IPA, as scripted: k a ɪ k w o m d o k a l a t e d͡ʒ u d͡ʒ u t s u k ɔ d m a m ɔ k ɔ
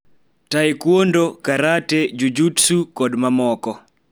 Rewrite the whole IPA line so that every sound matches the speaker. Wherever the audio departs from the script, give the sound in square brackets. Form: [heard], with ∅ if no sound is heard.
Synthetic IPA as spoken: [t] a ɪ k w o [n] d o k a [ɾ] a t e d͡ʒ u d͡ʒ u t s u k ɔ d m a m ɔ k ɔ